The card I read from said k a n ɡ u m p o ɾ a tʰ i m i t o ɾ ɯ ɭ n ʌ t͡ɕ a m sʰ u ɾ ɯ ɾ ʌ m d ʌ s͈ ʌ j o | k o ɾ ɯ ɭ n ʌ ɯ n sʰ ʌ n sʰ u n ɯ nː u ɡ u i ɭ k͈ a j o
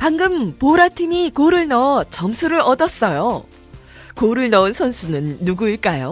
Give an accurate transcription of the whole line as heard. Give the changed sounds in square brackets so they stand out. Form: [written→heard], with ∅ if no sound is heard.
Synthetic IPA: [k→p] a [n→ŋ] ɡ [u→ɯ] m p o ɾ a tʰ i m i [t→k] o ɾ ɯ ɭ n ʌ t͡ɕ [a→ʌ] m sʰ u ɾ ɯ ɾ ʌ [m→∅] d ʌ s͈ ʌ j o | k o ɾ ɯ ɭ n ʌ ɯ n sʰ ʌ n sʰ u n ɯ nː u ɡ u i ɭ k͈ a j o